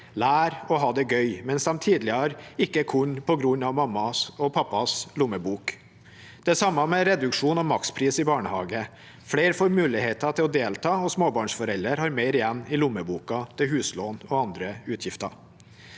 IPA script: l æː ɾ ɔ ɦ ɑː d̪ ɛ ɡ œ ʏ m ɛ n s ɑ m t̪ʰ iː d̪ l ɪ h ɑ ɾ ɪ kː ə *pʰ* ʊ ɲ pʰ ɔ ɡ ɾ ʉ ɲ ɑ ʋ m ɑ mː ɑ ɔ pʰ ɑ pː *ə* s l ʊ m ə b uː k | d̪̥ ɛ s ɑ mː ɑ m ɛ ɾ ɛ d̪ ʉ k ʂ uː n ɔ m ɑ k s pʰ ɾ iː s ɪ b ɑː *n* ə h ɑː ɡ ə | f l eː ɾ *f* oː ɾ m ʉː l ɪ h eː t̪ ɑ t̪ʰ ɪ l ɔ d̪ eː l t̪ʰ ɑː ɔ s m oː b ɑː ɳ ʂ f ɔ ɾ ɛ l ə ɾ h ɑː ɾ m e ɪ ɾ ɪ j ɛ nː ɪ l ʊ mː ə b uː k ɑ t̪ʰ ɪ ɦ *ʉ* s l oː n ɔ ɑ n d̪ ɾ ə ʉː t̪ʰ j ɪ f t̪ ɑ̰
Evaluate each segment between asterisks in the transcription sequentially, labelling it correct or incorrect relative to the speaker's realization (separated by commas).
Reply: incorrect, incorrect, incorrect, correct, incorrect